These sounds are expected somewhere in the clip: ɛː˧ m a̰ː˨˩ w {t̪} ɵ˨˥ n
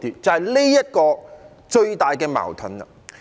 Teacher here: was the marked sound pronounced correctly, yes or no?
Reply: no